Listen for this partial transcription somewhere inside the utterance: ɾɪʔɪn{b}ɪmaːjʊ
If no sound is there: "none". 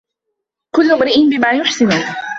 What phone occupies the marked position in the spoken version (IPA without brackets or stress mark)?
b